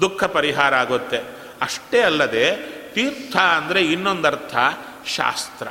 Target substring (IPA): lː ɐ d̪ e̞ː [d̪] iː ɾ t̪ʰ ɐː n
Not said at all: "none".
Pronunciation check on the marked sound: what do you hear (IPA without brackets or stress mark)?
t̪